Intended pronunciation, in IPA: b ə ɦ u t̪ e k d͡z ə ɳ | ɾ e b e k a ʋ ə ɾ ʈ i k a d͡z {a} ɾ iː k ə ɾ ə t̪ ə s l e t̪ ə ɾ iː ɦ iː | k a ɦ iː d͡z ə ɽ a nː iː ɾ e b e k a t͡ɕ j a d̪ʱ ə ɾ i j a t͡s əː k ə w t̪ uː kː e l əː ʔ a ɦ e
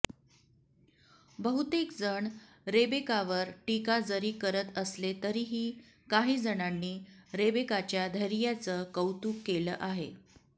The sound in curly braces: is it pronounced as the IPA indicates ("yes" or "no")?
no